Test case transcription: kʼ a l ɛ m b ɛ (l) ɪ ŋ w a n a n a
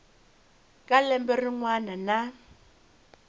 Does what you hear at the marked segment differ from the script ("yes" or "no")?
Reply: yes